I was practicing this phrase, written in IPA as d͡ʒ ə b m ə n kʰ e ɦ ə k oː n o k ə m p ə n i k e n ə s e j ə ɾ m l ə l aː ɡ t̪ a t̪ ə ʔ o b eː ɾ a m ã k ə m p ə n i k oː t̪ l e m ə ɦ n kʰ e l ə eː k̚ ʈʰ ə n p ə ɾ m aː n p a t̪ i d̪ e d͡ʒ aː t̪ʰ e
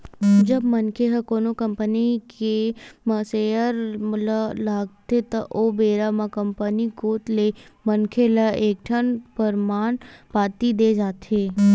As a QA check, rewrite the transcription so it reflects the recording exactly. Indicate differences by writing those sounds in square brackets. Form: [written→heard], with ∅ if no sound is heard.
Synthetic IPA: d͡ʒ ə b m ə n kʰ e ɦ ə k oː n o k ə m p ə n i k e [n→m] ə s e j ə ɾ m l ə l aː ɡ t̪ [a→e] t̪ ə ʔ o b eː ɾ a m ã k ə m p ə n i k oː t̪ l e m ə [ɦ→∅] n kʰ e l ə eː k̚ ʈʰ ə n p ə ɾ m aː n p a t̪ i d̪ e d͡ʒ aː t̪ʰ e